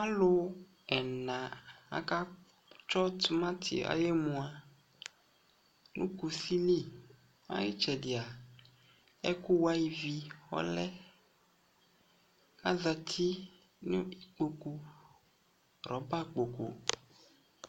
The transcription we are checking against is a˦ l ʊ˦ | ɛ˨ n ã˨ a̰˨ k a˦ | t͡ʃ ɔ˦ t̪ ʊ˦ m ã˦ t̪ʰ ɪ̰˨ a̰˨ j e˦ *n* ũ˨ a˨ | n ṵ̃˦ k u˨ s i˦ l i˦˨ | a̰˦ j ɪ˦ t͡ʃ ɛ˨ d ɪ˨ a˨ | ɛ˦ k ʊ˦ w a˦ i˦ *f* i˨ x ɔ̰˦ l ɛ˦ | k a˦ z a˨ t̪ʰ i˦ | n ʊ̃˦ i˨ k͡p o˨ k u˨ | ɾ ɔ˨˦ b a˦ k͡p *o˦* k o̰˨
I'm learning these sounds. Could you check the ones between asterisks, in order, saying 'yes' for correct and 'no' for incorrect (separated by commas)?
no, no, no